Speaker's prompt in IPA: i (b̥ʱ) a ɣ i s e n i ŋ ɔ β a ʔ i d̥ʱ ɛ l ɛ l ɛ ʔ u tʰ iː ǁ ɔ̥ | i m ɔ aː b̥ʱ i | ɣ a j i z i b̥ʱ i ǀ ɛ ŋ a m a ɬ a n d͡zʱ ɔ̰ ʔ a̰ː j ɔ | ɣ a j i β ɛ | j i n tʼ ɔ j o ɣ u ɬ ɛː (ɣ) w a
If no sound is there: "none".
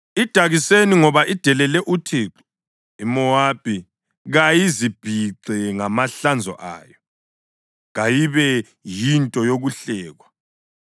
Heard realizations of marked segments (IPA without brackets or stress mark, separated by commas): d̥ʱ, ɣ